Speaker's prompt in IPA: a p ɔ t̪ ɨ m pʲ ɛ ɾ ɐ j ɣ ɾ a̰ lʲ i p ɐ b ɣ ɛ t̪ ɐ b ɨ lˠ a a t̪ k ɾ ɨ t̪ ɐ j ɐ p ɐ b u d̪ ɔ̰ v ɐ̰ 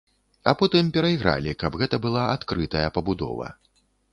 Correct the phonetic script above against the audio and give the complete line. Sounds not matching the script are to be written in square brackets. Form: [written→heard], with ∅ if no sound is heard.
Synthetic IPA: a p ɔ t̪ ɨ m pʲ ɛ ɾ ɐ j ɣ ɾ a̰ lʲ i [p→k] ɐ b ɣ ɛ t̪ ɐ b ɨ lˠ a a t̪ k ɾ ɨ t̪ ɐ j ɐ p ɐ b u d̪ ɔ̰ v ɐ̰